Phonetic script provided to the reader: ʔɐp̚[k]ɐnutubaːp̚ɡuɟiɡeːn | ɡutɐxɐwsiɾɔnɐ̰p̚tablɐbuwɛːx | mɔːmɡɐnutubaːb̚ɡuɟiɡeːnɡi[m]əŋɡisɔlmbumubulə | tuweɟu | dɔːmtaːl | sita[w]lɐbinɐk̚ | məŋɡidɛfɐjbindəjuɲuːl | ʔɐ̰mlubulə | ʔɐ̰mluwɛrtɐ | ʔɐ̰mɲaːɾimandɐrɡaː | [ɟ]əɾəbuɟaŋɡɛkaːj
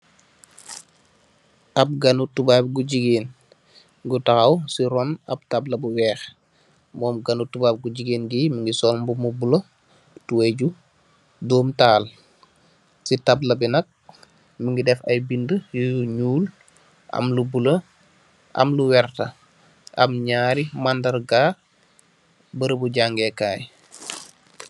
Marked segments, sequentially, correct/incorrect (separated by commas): incorrect, correct, incorrect, incorrect